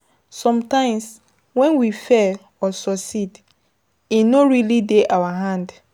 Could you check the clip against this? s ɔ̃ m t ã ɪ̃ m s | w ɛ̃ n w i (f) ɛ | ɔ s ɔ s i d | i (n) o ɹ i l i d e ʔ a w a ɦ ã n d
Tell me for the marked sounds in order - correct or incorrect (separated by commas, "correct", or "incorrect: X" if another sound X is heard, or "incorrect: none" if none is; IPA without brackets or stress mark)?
correct, correct